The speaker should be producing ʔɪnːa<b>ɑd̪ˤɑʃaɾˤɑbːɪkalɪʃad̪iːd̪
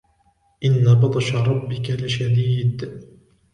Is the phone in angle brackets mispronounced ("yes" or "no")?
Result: no